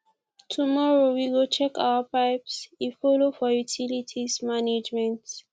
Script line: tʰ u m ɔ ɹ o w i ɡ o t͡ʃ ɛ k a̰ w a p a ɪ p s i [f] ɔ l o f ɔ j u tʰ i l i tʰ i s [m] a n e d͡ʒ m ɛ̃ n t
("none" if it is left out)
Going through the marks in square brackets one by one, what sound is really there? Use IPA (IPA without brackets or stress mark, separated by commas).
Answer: f, m